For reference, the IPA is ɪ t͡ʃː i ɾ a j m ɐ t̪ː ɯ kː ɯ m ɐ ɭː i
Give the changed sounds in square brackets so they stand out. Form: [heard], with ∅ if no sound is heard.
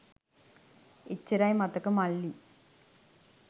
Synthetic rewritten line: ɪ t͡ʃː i ɾ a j m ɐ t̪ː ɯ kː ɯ m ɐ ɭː i